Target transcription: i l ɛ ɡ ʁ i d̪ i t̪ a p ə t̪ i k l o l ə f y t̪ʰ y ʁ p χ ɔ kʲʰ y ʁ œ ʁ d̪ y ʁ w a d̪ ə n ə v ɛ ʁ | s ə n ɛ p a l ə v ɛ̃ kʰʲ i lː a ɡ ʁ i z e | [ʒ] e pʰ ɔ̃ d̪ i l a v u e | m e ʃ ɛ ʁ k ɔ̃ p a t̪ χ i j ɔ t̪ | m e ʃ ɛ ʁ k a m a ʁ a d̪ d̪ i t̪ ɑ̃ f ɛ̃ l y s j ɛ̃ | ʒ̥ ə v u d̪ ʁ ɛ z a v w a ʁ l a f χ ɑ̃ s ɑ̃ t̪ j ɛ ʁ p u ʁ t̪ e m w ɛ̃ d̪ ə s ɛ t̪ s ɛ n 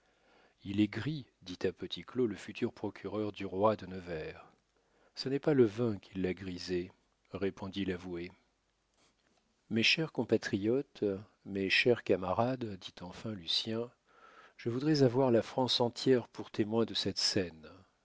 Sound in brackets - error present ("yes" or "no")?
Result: yes